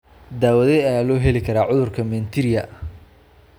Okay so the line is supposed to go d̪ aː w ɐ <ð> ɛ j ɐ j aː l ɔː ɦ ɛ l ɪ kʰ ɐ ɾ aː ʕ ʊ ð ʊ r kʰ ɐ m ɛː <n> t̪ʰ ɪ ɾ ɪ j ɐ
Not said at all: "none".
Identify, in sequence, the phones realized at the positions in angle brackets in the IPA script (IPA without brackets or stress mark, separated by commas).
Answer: ð, n